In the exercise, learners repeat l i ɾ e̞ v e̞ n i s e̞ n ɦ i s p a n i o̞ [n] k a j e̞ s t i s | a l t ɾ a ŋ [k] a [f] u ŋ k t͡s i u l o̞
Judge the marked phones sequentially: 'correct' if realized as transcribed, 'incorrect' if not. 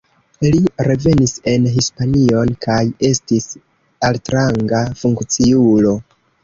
correct, incorrect: ɡ, correct

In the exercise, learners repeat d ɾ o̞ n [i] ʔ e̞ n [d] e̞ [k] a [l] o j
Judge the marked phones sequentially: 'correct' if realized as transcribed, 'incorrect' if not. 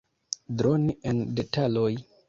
correct, correct, incorrect: t, correct

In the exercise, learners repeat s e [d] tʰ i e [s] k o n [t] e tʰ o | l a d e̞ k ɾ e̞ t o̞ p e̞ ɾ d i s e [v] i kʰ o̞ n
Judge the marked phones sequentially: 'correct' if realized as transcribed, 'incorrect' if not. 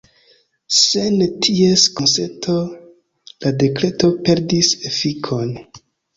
incorrect: n, correct, incorrect: s, incorrect: f

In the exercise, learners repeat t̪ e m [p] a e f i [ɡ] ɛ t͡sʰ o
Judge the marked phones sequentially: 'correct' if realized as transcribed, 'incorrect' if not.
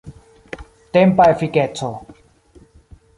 correct, incorrect: k

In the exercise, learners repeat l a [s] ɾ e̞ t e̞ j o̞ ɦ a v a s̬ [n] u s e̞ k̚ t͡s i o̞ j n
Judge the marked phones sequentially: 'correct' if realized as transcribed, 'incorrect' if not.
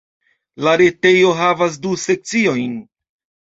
incorrect: none, incorrect: d

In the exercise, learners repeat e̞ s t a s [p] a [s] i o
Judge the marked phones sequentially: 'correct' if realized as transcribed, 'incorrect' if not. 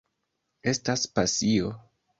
correct, correct

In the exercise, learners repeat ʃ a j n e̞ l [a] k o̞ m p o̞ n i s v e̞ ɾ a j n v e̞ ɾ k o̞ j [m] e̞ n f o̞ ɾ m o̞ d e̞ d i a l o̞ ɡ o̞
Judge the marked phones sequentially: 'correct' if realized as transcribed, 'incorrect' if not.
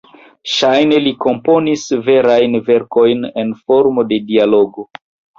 incorrect: i, incorrect: n

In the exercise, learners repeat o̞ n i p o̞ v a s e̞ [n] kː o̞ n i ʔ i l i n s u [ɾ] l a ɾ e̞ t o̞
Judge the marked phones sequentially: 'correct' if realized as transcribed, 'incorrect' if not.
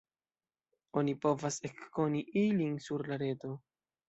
incorrect: none, correct

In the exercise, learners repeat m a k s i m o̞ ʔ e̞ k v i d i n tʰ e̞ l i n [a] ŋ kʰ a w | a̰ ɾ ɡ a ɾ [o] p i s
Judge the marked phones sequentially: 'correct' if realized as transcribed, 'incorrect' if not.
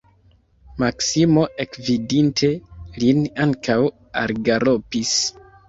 correct, correct

